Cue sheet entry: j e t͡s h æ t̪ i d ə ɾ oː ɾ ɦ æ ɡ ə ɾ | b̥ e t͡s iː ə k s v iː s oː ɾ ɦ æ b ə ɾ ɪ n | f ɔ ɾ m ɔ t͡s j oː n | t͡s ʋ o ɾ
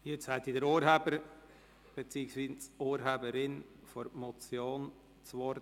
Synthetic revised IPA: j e t͡s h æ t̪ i d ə ɾ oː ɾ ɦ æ b ə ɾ | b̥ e t͡s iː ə k s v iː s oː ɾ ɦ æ b ə ɾ ɪ n | f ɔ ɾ m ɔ t͡s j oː n | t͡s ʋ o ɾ